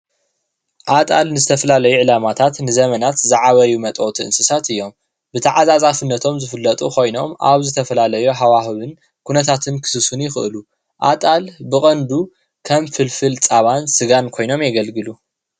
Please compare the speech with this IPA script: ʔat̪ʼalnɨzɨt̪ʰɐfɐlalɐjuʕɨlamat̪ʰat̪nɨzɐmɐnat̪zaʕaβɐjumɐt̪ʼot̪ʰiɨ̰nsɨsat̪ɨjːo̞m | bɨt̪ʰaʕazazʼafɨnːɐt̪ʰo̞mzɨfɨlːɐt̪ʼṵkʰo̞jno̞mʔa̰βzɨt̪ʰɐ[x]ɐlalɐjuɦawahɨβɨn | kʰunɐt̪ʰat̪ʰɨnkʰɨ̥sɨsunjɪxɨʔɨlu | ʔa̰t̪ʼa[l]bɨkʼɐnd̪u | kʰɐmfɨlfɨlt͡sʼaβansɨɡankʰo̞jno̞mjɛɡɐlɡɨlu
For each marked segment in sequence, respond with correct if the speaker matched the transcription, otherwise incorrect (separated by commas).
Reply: incorrect, correct